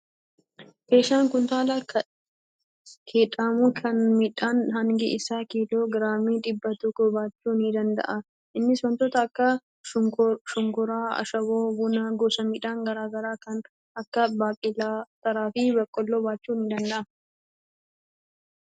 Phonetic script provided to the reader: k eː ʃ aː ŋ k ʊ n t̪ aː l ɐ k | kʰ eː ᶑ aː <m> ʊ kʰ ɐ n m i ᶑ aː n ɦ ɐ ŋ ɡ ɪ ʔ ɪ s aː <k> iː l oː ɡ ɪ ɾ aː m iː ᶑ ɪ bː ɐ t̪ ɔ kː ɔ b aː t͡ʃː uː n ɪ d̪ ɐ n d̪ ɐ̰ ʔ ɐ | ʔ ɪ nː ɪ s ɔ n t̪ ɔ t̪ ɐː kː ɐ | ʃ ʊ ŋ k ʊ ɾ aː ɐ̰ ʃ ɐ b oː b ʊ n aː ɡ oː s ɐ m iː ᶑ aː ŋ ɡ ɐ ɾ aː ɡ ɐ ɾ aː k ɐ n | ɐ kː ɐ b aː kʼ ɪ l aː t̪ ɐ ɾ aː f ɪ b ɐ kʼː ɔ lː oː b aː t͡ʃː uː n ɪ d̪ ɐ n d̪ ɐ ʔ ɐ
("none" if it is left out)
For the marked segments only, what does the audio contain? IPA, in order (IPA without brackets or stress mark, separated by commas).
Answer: m, k